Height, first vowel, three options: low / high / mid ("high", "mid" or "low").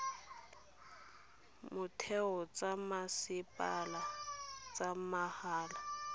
high